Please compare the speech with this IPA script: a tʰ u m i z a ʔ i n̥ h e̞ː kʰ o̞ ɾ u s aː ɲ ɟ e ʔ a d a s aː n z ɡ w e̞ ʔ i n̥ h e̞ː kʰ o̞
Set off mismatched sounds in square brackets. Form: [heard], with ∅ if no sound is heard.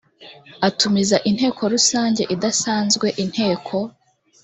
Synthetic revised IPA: a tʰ u m i z a ʔ i n̥ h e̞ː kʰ o̞ ɾ u s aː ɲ ɟ e ʔ [i] d a s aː n z ɡ w e̞ ʔ i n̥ h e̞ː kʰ o̞